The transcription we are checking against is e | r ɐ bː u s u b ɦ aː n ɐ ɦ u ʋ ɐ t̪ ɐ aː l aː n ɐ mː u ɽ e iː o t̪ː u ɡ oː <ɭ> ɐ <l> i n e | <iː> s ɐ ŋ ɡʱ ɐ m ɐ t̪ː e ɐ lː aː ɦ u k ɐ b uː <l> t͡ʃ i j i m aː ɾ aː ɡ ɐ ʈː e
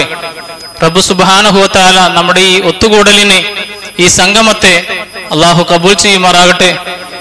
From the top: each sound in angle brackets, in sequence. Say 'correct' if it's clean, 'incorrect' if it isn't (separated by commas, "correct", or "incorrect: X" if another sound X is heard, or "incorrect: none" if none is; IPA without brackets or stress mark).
incorrect: ɽ, correct, correct, correct